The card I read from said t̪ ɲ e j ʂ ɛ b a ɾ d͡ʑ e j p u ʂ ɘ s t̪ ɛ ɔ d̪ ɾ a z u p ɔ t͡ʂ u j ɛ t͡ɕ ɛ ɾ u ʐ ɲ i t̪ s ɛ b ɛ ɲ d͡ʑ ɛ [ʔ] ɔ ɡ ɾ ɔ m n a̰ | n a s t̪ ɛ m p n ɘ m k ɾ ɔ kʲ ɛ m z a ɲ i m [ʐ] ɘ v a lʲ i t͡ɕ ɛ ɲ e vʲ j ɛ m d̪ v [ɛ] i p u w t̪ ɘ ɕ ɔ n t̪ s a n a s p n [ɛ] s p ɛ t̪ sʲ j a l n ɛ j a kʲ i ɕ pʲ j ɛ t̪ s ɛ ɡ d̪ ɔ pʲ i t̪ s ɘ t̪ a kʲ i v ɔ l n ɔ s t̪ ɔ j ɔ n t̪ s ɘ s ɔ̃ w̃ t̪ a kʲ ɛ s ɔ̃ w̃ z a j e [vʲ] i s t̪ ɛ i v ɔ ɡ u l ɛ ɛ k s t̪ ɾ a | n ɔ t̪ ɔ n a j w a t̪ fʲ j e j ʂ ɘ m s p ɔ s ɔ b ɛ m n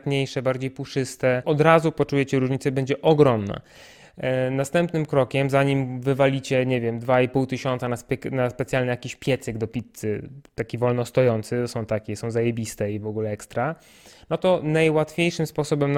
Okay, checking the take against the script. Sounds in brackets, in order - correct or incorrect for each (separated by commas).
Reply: correct, incorrect, incorrect, incorrect, incorrect